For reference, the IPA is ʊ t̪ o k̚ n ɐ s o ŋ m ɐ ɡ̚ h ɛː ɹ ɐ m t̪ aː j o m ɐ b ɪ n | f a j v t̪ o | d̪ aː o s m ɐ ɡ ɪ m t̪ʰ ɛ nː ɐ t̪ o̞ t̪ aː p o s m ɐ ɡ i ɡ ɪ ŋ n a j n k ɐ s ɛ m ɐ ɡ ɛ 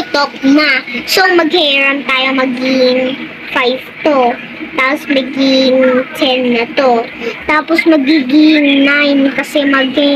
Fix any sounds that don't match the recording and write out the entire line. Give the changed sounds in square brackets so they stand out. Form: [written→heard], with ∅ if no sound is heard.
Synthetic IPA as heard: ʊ t̪ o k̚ n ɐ s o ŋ m ɐ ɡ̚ h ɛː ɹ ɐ m t̪ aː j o m ɐ [b→ɡ] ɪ [n→ŋ] | f a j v t̪ o | [d̪→t̪] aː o s m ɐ ɡ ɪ [m→ŋ] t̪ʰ ɛ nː ɐ t̪ o̞ t̪ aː p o s m ɐ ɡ i ɡ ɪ ŋ n a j n k ɐ s ɛ m ɐ ɡ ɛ